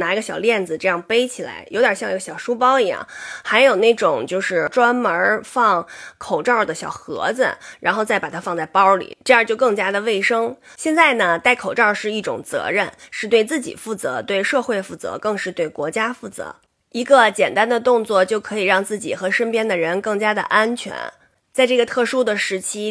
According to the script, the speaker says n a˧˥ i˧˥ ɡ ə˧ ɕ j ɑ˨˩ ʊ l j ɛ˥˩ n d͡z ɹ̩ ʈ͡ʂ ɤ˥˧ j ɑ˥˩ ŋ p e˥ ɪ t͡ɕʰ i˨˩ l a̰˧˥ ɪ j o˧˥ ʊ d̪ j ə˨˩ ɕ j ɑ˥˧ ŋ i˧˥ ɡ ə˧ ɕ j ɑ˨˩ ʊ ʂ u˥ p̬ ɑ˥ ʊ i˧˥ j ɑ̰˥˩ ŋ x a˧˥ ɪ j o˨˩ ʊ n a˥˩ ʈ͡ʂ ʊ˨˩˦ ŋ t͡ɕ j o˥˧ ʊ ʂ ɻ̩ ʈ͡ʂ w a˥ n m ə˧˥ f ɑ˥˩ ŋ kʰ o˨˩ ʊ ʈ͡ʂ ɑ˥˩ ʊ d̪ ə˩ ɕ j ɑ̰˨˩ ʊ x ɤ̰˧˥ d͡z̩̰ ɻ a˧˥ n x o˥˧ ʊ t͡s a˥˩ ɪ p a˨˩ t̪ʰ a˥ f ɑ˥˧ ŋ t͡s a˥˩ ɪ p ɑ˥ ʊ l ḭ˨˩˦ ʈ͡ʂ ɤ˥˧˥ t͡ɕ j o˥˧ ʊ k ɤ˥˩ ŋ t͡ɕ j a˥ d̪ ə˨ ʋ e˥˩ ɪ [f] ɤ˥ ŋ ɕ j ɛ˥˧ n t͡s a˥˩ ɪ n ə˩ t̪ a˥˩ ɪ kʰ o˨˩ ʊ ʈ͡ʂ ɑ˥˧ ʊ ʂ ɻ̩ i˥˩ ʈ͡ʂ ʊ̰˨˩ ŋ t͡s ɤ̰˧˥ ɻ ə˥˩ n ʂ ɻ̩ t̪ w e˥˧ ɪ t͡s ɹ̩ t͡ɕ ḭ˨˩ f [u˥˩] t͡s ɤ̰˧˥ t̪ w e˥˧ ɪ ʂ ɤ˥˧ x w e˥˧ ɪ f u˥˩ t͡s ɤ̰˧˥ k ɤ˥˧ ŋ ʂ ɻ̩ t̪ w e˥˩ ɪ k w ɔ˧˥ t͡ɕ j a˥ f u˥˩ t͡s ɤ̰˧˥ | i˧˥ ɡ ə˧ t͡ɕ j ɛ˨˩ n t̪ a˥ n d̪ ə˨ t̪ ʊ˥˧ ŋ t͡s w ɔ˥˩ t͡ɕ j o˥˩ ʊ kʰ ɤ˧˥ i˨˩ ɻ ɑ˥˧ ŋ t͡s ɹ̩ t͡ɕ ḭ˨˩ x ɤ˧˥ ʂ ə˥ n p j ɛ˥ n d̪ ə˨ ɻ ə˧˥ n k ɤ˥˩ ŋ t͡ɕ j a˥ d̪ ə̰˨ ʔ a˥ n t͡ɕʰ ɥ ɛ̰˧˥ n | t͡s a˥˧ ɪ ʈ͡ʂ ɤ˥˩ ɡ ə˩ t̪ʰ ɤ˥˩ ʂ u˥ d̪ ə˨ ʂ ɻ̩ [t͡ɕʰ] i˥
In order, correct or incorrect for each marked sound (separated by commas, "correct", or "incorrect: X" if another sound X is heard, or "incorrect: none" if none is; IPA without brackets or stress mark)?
incorrect: ʂ, correct, correct